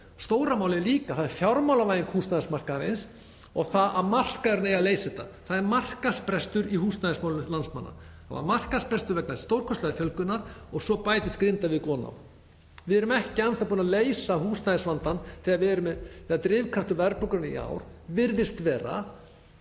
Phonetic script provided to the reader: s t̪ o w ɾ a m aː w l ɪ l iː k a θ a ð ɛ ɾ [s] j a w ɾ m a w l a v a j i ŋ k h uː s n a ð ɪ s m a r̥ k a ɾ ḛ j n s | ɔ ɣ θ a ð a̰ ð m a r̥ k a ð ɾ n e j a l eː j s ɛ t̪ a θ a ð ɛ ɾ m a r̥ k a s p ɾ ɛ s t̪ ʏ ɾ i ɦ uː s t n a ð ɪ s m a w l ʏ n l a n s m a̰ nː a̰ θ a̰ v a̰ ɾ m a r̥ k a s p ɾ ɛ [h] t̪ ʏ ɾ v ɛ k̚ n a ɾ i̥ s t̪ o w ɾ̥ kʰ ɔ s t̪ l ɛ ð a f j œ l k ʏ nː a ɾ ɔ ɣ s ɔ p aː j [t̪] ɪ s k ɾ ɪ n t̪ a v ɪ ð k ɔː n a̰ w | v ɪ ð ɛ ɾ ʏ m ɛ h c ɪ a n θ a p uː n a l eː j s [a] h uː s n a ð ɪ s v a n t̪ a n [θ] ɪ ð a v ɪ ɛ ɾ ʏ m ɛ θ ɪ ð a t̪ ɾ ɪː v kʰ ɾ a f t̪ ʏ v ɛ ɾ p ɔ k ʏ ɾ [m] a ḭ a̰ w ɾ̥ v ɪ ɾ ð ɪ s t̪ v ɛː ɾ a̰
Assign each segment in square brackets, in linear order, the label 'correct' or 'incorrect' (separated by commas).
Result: incorrect, incorrect, correct, correct, correct, incorrect